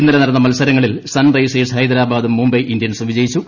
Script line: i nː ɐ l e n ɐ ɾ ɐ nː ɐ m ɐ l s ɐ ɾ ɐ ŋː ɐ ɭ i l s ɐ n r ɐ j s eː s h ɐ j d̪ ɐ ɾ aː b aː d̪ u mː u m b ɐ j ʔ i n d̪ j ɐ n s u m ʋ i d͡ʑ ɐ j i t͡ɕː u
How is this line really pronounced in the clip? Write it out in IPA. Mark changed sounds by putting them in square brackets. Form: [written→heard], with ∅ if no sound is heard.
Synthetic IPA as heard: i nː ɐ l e n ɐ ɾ ɐ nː ɐ m ɐ l s ɐ ɾ ɐ ŋː ɐ ɭ i l s ɐ n r ɐ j s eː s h ɐ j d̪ ɐ ɾ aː b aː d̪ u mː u m b ɐ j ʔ i n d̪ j ɐ n s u m ʋ i d͡ʑ ɐ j i t͡ɕː u